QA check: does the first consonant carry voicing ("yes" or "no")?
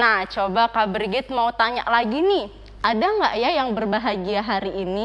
yes